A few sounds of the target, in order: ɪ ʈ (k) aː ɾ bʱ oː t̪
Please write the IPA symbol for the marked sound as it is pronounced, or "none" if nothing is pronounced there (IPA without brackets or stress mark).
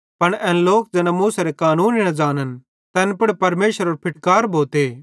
k